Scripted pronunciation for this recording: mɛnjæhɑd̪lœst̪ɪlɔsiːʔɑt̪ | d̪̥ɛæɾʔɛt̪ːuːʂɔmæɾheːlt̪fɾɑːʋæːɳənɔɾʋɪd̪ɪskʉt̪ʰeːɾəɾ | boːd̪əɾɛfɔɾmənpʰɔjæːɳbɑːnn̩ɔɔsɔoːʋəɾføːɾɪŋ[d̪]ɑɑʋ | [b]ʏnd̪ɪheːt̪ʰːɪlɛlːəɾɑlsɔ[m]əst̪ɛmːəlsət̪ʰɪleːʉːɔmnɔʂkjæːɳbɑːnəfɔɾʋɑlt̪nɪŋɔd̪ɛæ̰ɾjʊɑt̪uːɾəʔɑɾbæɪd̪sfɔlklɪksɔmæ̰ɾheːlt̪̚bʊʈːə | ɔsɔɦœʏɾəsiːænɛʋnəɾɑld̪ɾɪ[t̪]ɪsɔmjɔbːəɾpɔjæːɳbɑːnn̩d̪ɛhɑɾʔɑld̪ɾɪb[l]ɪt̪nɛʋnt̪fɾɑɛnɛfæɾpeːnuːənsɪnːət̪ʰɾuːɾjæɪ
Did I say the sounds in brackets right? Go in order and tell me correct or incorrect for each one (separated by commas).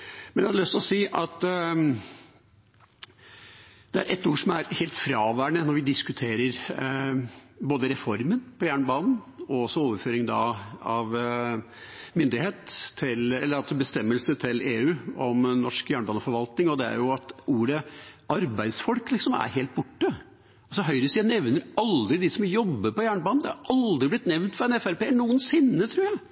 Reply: correct, incorrect, incorrect, incorrect, correct